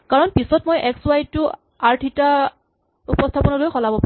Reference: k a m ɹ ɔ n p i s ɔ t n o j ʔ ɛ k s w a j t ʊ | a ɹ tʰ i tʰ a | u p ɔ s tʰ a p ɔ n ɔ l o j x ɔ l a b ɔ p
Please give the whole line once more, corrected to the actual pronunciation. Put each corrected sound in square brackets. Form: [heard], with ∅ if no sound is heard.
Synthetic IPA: k a [∅] ɹ ɔ n p i s ɔ t [m] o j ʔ ɛ k s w a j t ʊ | a ɹ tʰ i [t] a | u p ɔ s tʰ a p ɔ n ɔ l o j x ɔ l a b ɔ p